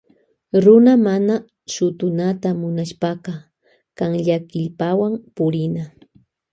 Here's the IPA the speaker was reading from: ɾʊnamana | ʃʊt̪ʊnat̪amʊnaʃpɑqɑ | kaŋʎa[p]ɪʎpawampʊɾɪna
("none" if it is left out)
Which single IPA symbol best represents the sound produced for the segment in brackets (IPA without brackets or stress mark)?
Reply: k